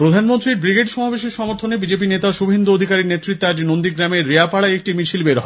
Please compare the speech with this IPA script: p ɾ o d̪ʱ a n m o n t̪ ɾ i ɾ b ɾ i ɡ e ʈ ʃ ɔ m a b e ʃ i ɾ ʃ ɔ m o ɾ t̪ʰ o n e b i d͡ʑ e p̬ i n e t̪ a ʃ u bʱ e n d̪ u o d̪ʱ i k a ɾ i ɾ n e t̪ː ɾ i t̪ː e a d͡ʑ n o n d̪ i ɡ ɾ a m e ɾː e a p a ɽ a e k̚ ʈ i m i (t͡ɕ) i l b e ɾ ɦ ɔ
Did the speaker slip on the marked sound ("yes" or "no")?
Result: yes